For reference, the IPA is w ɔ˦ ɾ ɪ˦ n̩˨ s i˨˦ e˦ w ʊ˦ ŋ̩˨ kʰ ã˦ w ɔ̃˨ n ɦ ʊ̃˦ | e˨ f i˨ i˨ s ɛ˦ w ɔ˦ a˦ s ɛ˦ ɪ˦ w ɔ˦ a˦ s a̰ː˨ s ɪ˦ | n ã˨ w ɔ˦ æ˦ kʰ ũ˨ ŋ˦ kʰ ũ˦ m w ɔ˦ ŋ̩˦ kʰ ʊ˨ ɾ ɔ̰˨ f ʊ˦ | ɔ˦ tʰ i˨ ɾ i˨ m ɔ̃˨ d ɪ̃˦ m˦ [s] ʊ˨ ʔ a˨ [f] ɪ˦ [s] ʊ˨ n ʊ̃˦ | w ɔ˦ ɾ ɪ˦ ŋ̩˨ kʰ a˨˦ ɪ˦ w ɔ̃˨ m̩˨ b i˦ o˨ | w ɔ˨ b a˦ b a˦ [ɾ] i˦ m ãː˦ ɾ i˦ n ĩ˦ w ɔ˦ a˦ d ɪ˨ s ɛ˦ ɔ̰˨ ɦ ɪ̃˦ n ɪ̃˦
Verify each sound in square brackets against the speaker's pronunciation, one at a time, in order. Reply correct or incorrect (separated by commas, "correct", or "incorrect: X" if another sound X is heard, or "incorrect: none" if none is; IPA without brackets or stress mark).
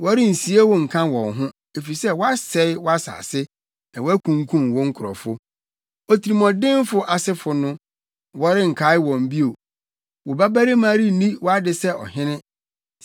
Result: incorrect: f, incorrect: s, incorrect: f, correct